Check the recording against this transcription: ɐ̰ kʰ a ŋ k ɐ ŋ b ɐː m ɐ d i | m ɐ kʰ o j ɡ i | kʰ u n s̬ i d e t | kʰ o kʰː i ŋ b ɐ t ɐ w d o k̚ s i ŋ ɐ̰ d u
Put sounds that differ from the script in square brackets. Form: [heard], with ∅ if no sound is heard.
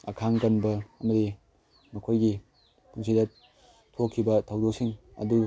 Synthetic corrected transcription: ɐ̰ kʰ a ŋ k ɐ [n] b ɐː m ɐ d i | m ɐ kʰ o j ɡ i | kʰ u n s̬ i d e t | [tʰ] o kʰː i [∅] b ɐ [tʰ] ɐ w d o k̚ s i ŋ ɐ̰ d u